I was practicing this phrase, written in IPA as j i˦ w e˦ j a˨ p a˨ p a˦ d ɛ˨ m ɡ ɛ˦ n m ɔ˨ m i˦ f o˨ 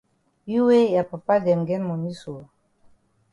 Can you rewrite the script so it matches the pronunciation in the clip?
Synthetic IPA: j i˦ w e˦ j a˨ p a˨ p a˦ d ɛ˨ m ɡ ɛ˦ n m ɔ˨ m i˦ s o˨